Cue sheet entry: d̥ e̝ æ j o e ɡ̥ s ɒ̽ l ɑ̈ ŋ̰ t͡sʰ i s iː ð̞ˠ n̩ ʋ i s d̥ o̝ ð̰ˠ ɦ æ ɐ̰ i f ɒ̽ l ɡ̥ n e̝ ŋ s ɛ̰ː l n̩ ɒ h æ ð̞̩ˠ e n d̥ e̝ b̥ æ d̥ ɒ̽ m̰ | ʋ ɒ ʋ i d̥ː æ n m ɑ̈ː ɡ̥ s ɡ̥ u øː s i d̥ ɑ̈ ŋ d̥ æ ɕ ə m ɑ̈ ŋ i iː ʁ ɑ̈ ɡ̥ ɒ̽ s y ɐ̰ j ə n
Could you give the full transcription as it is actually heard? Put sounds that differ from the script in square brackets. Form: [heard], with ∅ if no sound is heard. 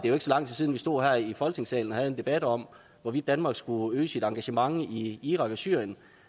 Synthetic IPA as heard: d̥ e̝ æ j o e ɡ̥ s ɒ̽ l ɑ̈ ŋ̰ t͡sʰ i s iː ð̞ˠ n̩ ʋ i s d̥ o̝ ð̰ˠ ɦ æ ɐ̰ i f ɒ̽ l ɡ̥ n e̝ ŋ s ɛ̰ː l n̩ ɒ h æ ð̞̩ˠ e n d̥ e̝ b̥ æ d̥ ɒ̽ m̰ | ʋ ɒ ʋ i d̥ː æ n m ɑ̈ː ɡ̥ s ɡ̥ u øː s i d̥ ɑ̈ ŋ [ɡ̥] æ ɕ ə m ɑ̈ ŋ i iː ʁ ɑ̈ ɡ̥ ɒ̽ s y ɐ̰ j ə n